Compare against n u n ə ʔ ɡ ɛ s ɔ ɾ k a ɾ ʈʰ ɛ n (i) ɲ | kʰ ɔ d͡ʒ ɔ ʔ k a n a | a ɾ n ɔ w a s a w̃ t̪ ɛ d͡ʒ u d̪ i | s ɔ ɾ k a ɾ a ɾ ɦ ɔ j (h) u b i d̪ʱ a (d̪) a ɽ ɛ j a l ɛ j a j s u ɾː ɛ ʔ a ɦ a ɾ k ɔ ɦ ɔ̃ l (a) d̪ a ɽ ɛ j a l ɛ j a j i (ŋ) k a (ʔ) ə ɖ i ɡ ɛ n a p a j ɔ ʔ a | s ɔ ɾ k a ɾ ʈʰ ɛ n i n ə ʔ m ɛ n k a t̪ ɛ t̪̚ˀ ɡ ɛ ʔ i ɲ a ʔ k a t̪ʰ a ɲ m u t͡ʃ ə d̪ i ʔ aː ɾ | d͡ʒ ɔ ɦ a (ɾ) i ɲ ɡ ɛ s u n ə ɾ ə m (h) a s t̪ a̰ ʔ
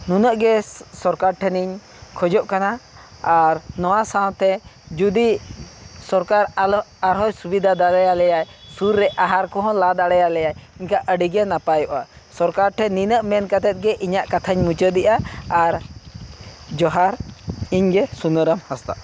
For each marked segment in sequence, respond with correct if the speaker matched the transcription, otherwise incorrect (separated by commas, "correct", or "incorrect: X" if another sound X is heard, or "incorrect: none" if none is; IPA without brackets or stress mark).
correct, incorrect: s, correct, correct, incorrect: ɲ, correct, correct, correct